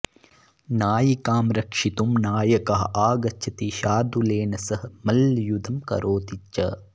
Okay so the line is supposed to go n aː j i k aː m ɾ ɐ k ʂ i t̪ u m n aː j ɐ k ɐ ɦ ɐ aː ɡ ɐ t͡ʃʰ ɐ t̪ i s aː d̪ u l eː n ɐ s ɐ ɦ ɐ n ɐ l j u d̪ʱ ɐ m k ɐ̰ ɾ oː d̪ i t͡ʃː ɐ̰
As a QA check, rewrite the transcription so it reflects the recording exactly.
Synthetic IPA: n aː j i k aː m ɾ ɐ k ʂ i t̪ u m n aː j ɐ k ɐ ɦ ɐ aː ɡ ɐ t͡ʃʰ ɐ t̪ i ʃ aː d̪ u l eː n ɐ s ɐ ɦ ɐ m ɐ l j u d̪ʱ ɐ m k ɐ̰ ɾ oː t̪ i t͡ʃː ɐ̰

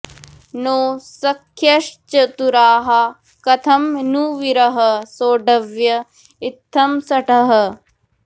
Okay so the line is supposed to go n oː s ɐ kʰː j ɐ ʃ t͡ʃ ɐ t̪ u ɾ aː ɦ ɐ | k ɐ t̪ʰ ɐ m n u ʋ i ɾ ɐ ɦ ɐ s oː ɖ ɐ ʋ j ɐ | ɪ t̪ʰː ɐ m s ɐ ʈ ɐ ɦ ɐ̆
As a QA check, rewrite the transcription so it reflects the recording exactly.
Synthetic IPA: n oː s ɐ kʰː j ɐ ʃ t͡ʃ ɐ t̪ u ɾ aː ɦ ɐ | k ɐ t̪ʰ ɐ m n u ʋ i ɾ ɐ ɦ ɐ s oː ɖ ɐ ʋ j ɐ | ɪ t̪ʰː ɐ m s ɐ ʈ ɐ ɦ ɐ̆

